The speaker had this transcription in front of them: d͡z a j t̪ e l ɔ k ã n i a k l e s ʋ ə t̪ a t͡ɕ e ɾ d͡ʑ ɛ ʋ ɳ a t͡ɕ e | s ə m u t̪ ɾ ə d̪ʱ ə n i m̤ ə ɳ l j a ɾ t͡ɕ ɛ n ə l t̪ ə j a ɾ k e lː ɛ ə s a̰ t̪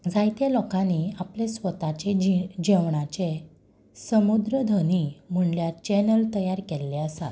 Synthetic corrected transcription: d͡z a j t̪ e l ɔ k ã n i a p l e s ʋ ə t̪ a t͡ɕ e d͡ʑ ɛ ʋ ɳ a t͡ɕ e | s ə m u d̪ ɾ ə d̪ʱ ə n i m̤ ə ɳ l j a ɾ t͡ɕ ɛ n ə l t̪ ə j a ɾ k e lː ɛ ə s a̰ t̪